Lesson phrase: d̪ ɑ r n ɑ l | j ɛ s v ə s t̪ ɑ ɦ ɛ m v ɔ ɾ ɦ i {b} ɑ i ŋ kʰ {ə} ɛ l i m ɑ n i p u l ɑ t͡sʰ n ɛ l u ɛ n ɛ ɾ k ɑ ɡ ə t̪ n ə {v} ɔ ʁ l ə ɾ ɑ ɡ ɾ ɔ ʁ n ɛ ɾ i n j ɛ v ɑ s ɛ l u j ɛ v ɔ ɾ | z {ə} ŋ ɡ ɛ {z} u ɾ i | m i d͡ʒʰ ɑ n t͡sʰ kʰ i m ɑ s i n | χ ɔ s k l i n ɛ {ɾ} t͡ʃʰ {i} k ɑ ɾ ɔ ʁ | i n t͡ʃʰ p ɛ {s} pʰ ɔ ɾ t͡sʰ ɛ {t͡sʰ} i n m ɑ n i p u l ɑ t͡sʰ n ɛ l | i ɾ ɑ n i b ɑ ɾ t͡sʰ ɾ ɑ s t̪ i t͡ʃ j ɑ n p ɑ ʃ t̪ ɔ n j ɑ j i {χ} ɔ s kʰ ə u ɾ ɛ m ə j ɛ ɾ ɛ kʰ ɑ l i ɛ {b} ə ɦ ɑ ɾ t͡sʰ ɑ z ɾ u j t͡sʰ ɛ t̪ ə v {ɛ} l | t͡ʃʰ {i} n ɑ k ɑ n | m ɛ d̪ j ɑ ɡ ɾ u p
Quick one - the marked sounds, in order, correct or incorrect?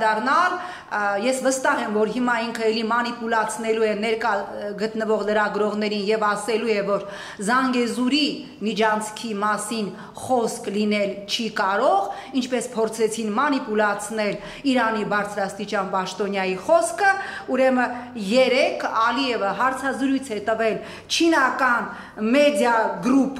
incorrect: m, correct, correct, incorrect: ɑ, correct, incorrect: l, correct, correct, correct, correct, incorrect: v, correct, correct

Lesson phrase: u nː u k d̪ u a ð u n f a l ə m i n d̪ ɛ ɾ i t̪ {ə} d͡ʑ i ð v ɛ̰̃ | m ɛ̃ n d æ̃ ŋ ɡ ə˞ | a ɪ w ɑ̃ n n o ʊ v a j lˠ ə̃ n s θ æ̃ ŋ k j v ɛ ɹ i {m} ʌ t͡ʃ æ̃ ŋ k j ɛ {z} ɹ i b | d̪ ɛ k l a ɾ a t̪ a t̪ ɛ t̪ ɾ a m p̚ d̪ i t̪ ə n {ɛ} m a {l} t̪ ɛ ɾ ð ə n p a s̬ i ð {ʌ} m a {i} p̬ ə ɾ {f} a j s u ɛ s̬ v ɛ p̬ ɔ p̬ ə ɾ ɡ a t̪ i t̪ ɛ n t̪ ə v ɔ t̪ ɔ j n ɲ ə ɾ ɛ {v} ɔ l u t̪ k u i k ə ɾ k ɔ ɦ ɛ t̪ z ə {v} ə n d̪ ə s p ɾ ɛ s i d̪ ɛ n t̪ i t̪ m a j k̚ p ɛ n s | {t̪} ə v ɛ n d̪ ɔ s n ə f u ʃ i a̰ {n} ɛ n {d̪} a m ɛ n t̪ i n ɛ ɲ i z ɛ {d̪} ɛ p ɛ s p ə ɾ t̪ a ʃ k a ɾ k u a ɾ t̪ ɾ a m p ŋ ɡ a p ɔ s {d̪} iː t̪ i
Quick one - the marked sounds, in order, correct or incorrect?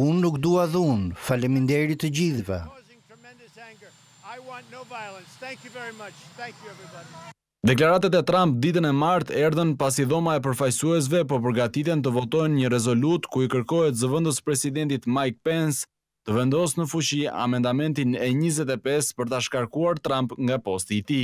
correct, correct, incorrect: v, correct, incorrect: ɾ, incorrect: ɔ, incorrect: ɛ, correct, incorrect: z, correct, correct, incorrect: m, correct, incorrect: t̪, incorrect: t̪

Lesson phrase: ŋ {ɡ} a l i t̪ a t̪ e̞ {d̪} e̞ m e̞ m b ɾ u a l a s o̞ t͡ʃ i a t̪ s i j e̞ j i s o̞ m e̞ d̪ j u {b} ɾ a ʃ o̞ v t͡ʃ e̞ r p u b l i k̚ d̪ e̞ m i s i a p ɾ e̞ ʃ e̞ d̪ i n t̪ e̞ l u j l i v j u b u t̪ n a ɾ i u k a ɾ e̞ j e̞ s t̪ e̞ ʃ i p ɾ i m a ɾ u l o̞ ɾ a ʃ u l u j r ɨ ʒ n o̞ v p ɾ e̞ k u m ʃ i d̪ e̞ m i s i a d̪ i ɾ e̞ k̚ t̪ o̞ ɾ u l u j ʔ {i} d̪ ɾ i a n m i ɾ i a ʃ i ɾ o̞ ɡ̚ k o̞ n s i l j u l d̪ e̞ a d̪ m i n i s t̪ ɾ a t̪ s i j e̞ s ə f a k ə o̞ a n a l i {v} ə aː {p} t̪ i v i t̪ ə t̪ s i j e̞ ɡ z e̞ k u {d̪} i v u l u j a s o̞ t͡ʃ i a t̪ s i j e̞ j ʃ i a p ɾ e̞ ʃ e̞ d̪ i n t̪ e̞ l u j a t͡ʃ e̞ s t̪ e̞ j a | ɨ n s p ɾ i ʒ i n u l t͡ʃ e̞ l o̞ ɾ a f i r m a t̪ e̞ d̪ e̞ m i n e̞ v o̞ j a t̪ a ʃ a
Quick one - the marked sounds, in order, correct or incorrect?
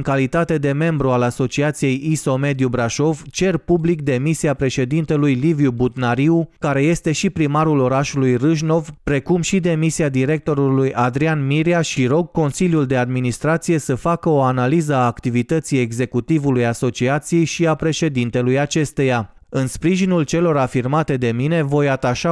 incorrect: k, correct, correct, incorrect: a, incorrect: z, incorrect: k, incorrect: t̪

